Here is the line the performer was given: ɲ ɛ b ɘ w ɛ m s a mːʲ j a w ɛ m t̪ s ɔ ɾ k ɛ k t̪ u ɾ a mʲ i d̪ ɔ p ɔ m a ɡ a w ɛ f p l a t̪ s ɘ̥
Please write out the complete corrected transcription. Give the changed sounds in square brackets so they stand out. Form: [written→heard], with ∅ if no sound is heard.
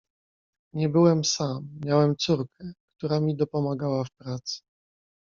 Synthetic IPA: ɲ ɛ b ɘ w ɛ m s a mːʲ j a w ɛ m t̪ s [ɔ→u] ɾ k ɛ k t̪ u ɾ a mʲ i d̪ ɔ p ɔ m a ɡ a w [ɛ→a] f p [l→ɾ] a t̪ s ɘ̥

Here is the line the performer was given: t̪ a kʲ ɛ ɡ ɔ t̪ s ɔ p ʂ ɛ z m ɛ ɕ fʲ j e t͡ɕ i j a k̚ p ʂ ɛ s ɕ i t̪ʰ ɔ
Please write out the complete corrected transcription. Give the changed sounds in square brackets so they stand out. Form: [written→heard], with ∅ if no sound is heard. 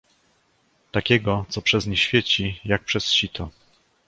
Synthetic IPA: t̪ a kʲ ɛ ɡ ɔ t̪ s ɔ p ʂ ɛ z [m→ɲ] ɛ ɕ fʲ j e t͡ɕ i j a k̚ p ʂ ɛ s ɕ i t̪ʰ ɔ

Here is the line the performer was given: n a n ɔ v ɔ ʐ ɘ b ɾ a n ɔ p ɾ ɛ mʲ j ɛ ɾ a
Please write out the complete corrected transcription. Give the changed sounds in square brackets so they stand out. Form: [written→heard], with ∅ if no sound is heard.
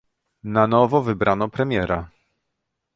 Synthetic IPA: n a n ɔ v ɔ [ʐ→v] ɘ b ɾ a n ɔ p ɾ ɛ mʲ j ɛ ɾ a

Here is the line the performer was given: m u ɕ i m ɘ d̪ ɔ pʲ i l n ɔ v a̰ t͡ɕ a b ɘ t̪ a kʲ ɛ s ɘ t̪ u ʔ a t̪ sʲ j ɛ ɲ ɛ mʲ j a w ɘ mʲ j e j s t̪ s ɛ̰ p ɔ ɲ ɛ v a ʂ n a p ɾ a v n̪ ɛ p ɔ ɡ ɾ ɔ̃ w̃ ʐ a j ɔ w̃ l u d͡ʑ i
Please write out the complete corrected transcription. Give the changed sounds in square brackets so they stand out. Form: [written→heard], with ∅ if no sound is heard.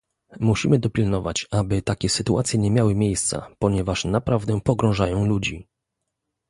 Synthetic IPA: m u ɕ i m ɘ d̪ ɔ pʲ i l n ɔ v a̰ t͡ɕ a b ɘ t̪ a kʲ ɛ s ɘ t̪ u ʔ a t̪ sʲ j ɛ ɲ ɛ mʲ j a w ɘ mʲ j e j s t̪ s [ɛ̰→a̰] p ɔ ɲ ɛ v a ʂ n a p ɾ a v [n̪→d̪] ɛ p ɔ ɡ ɾ ɔ̃ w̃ ʐ a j [ɔ→ɔ̃] w̃ l u d͡ʑ i

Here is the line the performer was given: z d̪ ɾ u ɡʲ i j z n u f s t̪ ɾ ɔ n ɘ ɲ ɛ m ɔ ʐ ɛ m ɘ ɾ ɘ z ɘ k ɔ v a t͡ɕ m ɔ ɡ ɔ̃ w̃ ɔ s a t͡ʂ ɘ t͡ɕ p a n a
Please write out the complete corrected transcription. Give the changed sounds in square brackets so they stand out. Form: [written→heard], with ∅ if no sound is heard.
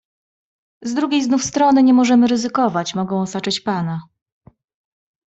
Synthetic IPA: z d̪ ɾ u ɡʲ [i→e] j z n u f s t̪ ɾ ɔ n ɘ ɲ ɛ m ɔ ʐ ɛ m ɘ ɾ ɘ z ɘ k ɔ v a t͡ɕ m ɔ ɡ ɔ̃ w̃ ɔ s a t͡ʂ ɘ t͡ɕ p a n a

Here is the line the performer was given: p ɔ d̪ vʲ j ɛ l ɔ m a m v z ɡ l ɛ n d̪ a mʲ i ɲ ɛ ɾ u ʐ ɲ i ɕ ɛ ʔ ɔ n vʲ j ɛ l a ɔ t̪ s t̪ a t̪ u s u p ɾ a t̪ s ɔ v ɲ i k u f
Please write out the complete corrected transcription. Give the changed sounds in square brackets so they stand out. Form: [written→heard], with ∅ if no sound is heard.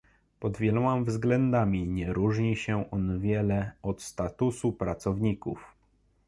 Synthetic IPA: p ɔ d̪ vʲ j ɛ l ɔ m a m v z ɡ l ɛ n d̪ a mʲ i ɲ ɛ ɾ u ʐ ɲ i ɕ ɛ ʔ ɔ n vʲ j ɛ l [a→ɛ] ɔ t̪ s t̪ a t̪ u s u p ɾ a t̪ s ɔ v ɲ i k u f

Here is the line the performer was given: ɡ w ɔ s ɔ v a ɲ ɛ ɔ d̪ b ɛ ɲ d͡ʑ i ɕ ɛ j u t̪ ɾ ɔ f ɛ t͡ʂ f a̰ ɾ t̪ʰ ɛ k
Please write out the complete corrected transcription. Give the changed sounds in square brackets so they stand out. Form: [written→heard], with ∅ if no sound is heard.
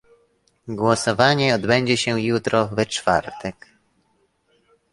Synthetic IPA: ɡ w ɔ s ɔ v a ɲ ɛ ɔ d̪ b ɛ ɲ d͡ʑ [i→ɛ] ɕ ɛ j u t̪ ɾ ɔ [f→v] ɛ t͡ʂ f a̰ ɾ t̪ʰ ɛ k

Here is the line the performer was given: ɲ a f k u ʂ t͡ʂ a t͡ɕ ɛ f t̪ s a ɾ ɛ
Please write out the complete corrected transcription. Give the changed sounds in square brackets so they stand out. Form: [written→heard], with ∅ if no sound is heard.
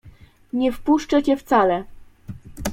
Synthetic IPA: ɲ [a→ɛ] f [k→p] u ʂ t͡ʂ [a→ɛ] t͡ɕ ɛ f t̪ s a [ɾ→l] ɛ

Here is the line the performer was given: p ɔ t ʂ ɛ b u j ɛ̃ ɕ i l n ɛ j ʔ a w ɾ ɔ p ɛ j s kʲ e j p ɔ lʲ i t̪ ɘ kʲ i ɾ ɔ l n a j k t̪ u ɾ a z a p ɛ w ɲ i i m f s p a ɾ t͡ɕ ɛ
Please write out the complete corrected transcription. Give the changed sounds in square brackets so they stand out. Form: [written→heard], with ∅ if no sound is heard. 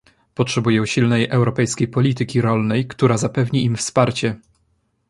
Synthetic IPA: p ɔ t ʂ ɛ b u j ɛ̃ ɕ i l n ɛ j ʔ [a→ɛ] w ɾ ɔ p ɛ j s kʲ e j p ɔ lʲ i t̪ ɘ kʲ i ɾ ɔ l n [a→ɛ] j k t̪ u ɾ a z a p ɛ [w→v] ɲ i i m f s p a ɾ t͡ɕ ɛ

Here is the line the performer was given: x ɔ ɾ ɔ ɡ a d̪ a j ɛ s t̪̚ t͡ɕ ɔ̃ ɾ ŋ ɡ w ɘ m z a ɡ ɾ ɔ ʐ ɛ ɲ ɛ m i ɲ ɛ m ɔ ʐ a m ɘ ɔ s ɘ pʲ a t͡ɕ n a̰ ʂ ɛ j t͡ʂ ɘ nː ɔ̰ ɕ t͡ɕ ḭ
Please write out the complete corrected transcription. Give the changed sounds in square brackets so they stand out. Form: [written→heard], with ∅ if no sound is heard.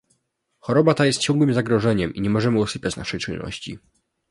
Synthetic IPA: x ɔ ɾ ɔ [ɡ→b] a [d̪→t̪] a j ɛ s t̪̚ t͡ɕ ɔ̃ [ɾ→∅] ŋ ɡ w ɘ m z a ɡ ɾ ɔ ʐ ɛ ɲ ɛ m i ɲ ɛ m ɔ ʐ [a→ɛ] m ɘ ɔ s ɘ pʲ a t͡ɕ n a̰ ʂ ɛ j t͡ʂ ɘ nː ɔ̰ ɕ t͡ɕ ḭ

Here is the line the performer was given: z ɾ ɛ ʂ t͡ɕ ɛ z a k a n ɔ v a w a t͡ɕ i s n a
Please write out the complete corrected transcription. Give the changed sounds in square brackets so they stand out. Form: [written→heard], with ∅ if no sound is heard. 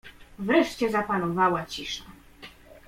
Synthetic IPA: [z→v] ɾ ɛ ʂ t͡ɕ ɛ z a [k→p] a n ɔ v a w a t͡ɕ i [s→ʂ] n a

